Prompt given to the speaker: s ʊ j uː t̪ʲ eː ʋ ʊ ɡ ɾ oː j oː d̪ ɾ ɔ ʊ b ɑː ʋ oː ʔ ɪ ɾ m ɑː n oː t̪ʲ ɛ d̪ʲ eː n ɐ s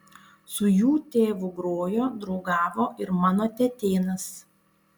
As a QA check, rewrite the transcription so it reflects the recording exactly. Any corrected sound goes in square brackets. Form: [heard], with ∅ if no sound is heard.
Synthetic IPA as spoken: s ʊ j uː t̪ʲ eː ʋ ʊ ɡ ɾ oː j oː d̪ ɾ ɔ ʊ [ɡ] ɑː ʋ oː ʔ ɪ ɾ m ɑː n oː t̪ʲ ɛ [t̪ʲ] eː n ɐ s